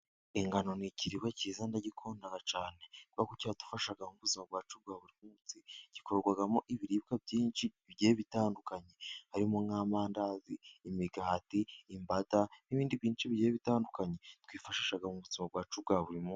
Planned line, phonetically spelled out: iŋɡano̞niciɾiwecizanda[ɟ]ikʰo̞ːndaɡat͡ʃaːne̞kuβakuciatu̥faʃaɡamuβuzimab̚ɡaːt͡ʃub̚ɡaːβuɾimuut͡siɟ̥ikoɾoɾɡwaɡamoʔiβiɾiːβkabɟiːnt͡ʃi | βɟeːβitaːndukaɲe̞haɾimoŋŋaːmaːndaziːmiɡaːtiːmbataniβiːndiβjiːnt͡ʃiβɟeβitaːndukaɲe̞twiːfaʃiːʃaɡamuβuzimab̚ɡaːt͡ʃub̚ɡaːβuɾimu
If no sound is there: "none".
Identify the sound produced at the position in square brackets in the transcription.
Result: ɟ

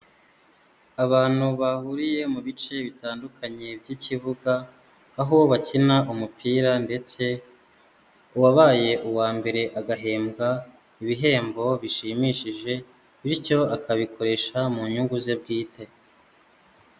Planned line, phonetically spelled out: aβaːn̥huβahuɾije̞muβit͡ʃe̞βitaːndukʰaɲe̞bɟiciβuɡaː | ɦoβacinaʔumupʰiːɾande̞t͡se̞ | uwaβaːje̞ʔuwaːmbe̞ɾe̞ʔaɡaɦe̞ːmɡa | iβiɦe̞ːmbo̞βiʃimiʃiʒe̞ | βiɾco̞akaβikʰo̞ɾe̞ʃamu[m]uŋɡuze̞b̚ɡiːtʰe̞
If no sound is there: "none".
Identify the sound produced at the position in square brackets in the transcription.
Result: ɲ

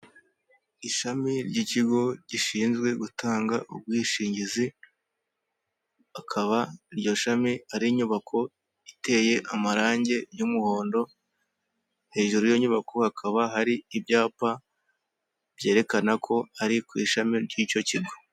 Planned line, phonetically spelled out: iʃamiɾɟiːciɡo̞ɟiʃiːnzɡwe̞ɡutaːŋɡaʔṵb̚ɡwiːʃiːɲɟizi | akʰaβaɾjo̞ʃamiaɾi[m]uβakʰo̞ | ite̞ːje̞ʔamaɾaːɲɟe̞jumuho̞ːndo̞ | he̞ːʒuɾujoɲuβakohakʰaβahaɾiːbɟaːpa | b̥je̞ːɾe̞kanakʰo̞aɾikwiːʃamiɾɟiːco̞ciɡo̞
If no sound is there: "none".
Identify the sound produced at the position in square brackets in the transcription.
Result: ɲ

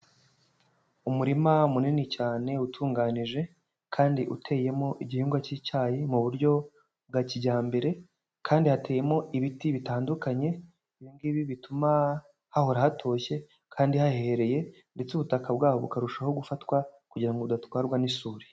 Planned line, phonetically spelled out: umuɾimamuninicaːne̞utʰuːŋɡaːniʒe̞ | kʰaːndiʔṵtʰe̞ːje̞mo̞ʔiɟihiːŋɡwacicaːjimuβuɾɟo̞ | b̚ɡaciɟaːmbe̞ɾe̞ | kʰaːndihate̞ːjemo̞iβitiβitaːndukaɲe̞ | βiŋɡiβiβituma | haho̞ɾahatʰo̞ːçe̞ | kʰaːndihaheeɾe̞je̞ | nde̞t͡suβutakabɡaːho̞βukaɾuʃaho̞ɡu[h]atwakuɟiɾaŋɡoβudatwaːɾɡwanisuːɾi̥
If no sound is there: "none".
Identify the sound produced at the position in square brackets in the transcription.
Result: f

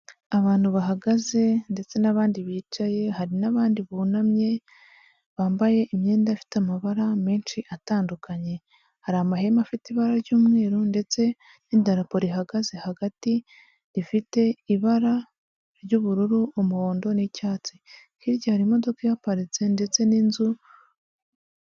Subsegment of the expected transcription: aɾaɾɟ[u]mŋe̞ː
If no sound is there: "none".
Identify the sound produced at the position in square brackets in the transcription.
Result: uː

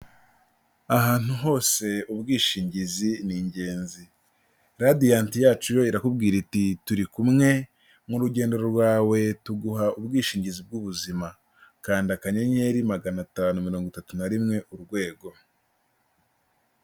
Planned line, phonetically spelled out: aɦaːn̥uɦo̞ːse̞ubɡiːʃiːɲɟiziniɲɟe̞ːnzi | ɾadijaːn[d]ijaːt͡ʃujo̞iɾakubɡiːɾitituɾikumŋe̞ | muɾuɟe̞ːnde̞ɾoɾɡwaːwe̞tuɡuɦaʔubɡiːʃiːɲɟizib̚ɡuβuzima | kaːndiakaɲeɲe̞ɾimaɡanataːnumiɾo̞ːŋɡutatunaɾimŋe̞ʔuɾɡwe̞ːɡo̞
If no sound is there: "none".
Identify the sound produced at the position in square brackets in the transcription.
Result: t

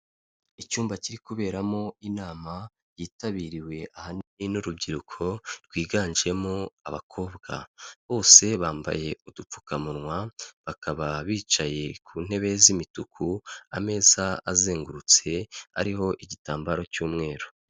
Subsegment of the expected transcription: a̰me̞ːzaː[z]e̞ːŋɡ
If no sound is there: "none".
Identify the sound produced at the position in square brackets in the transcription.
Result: z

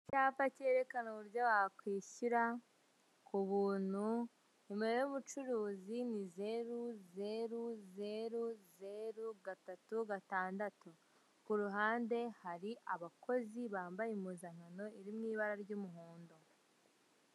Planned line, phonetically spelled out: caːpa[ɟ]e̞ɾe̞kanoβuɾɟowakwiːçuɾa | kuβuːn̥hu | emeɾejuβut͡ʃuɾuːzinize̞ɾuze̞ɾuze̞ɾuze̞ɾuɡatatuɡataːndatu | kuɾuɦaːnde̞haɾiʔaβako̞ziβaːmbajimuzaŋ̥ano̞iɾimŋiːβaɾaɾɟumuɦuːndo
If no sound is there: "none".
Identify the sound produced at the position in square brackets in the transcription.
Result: c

